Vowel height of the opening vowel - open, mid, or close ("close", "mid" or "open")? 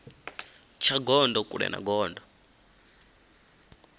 open